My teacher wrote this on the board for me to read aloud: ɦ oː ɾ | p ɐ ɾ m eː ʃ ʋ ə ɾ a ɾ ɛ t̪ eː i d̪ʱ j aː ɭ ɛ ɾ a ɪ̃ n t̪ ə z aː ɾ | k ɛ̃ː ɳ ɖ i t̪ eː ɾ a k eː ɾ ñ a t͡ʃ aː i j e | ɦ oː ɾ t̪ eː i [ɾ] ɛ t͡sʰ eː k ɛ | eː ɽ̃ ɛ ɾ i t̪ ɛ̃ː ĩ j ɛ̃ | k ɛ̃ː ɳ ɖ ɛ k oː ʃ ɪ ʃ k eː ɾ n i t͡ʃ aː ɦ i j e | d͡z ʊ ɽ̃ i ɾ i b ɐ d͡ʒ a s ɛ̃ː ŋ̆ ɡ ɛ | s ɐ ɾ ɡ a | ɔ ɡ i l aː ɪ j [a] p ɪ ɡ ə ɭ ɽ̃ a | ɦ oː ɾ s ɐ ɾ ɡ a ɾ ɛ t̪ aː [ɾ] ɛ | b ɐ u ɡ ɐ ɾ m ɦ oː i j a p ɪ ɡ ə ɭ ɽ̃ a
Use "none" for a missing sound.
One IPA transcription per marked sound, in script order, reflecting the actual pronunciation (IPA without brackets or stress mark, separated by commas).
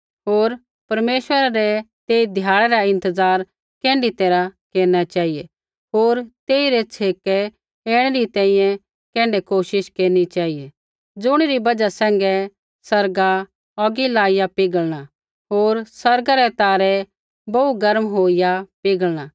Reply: ɾ, a, ɾ